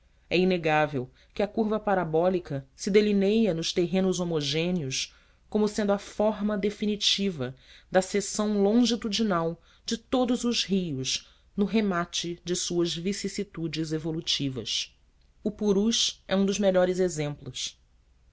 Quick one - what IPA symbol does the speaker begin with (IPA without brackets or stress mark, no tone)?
ɛ